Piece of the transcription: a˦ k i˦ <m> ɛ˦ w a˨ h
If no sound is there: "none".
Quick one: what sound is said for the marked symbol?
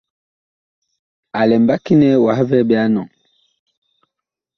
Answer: n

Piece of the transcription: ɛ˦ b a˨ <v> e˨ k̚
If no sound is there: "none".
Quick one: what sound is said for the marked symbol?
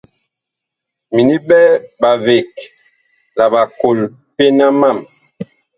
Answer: v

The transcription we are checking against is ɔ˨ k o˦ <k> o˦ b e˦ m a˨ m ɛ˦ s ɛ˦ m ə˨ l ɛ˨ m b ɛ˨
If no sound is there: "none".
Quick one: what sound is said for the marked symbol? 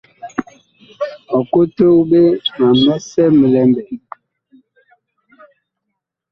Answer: t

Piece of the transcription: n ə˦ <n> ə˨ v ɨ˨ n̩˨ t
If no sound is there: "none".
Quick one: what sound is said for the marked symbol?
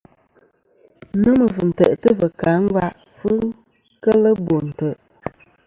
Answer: m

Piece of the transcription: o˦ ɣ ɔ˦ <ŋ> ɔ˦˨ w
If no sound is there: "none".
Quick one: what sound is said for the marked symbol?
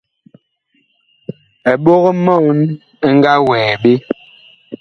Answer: m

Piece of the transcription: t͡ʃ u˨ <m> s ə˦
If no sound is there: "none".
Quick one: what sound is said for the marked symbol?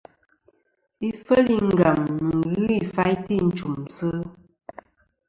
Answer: m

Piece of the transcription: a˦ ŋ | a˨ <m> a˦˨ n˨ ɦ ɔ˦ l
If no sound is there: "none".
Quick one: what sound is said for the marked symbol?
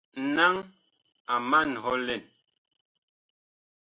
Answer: m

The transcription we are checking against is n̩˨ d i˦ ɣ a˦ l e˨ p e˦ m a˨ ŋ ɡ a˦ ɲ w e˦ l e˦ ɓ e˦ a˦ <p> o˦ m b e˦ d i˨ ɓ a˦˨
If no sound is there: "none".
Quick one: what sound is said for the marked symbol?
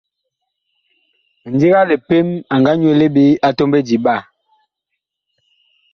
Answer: t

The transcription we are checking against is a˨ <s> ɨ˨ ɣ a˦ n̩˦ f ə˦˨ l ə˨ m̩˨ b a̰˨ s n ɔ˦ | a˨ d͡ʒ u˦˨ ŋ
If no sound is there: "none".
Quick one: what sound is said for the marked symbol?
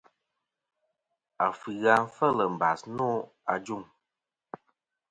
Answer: f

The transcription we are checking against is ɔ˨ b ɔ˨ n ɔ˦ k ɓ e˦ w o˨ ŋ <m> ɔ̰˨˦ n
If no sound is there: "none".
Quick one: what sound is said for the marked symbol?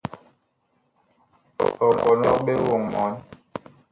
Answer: m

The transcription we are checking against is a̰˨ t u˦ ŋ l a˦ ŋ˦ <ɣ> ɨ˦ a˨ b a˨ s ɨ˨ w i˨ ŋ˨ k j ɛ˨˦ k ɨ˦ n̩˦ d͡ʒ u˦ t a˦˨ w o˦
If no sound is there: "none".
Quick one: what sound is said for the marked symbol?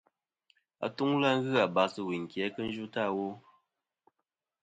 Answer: ɣ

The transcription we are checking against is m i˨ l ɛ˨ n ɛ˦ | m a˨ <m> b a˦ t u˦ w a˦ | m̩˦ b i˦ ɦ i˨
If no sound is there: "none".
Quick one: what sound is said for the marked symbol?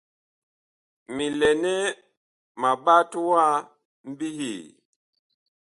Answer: none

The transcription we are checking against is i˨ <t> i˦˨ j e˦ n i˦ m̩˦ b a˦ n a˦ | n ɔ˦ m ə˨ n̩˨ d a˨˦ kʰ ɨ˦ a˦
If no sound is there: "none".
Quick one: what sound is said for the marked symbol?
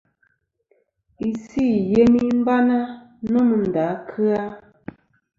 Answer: s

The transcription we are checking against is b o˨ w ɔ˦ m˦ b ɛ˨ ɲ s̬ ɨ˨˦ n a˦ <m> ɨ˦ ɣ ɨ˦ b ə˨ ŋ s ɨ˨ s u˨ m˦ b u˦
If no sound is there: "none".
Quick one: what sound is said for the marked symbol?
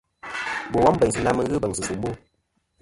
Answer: m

